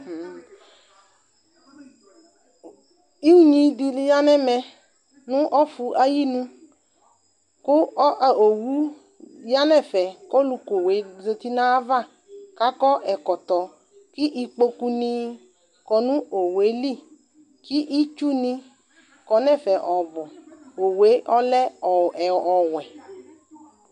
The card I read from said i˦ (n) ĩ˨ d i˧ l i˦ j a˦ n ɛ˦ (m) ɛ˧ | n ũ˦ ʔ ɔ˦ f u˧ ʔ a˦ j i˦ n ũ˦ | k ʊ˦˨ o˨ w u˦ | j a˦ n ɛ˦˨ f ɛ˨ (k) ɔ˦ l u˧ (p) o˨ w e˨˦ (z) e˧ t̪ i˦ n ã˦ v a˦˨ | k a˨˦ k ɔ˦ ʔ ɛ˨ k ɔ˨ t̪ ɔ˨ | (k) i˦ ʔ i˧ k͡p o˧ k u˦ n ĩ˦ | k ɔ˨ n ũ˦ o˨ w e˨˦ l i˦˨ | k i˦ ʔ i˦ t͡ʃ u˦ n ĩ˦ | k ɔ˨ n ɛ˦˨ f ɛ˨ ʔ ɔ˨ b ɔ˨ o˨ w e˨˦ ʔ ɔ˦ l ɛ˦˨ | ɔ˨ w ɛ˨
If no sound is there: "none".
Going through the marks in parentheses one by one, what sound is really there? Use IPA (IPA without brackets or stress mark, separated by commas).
ɲ, m, k, k, z, k